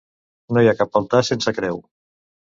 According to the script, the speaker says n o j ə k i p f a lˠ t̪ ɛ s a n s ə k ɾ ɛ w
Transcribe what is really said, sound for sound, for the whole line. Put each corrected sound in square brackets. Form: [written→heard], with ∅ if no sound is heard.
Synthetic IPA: n o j [ə→a] k [i→a] p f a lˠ t̪ [ɛ→a] s [a→e] n s ə k ɾ ɛ w